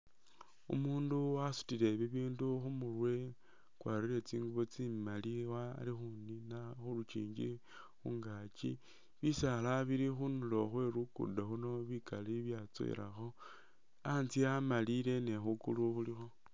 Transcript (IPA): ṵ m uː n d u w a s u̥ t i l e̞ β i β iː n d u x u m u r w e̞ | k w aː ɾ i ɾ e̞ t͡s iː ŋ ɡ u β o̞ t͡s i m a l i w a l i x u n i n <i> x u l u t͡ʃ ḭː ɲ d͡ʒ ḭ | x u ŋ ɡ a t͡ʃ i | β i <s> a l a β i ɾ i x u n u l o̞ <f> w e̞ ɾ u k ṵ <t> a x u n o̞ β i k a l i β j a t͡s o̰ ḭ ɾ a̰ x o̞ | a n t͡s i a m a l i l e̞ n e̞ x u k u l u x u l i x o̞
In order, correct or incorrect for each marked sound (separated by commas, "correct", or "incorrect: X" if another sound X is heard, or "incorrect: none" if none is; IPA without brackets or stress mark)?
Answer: incorrect: a, correct, incorrect: x, incorrect: d